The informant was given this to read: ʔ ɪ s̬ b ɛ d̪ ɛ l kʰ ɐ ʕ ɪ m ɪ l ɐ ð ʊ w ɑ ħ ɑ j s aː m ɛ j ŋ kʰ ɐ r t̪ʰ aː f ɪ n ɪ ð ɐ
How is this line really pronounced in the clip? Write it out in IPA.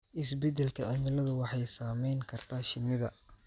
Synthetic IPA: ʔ ɪ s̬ b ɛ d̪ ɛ l kʰ ɐ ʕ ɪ m ɪ l ɐ ð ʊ w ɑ ħ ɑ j s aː m ɛ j ŋ kʰ ɐ r t̪ʰ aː ʃ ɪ n ɪ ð ɐ